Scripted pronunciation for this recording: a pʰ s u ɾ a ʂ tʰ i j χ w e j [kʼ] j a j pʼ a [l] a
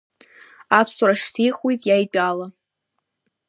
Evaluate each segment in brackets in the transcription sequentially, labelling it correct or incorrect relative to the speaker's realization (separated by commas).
incorrect, correct